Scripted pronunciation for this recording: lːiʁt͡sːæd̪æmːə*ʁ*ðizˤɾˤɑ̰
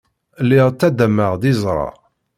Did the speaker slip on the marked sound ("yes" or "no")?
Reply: no